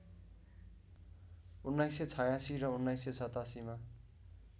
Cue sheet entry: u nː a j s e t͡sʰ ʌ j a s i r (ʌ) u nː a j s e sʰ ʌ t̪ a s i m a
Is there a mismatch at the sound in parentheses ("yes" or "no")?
no